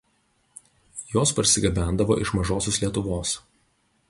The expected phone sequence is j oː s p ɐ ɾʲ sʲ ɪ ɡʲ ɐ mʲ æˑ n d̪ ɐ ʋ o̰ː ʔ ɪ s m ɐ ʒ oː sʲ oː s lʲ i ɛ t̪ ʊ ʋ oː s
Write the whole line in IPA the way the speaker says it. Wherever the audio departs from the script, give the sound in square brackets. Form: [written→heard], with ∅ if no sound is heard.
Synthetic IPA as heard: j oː s p ɐ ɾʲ sʲ ɪ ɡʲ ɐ [mʲ→bʲ] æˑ n d̪ ɐ ʋ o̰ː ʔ ɪ [s→ʃ] m ɐ ʒ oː sʲ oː s lʲ i ɛ t̪ ʊ ʋ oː s